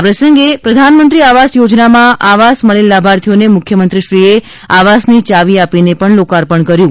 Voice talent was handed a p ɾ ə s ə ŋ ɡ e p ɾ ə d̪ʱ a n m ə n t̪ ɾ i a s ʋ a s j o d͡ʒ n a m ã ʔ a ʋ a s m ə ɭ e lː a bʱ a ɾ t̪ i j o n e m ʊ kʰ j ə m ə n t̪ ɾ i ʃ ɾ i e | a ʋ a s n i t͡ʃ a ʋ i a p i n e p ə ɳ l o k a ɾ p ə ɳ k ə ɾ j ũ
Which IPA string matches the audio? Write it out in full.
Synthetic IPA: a p ɾ ə s ə ŋ ɡ e p ɾ ə d̪ʱ a n m ə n t̪ ɾ i a ʋ a s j o d͡ʒ n a m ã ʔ a ʋ a s m ə ɭ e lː a bʱ a ɾ t̪ʰ i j o n e m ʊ kʰ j ə m ə n t̪ ɾ i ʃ ɾ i e | a ʋ a s n i t͡ʃ a ʋ i a p i n e p ə ɳ l o k a ɾ p ə ɳ k ə ɾ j ũ